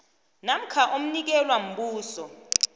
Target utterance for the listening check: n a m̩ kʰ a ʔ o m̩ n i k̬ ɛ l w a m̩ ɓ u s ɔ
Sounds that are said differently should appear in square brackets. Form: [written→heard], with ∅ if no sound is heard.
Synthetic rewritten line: n a m̩ kʰ a ʔ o m̩ n i k̬ ɛ l w a m̩ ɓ [u→uː] s ɔ